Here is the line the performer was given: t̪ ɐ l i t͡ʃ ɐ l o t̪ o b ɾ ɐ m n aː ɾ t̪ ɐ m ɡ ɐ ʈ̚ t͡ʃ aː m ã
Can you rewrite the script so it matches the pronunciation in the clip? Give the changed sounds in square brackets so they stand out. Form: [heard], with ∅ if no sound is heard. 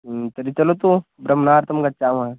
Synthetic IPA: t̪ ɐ [ɾ] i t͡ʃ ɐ l o t̪ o b ɾ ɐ m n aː ɾ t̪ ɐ m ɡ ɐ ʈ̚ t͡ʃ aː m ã